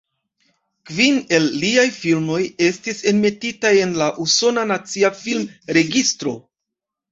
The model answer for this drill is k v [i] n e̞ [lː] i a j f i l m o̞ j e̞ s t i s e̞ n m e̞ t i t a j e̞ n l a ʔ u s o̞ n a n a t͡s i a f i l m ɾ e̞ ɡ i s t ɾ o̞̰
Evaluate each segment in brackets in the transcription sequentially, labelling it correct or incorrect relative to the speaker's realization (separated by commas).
correct, correct